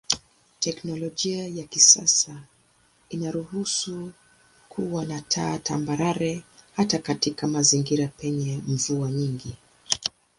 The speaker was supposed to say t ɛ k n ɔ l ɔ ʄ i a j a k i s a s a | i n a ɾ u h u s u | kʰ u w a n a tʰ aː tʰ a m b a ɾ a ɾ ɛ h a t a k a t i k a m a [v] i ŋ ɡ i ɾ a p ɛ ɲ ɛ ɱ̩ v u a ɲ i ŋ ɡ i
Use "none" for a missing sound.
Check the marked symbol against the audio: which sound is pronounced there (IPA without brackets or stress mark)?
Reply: z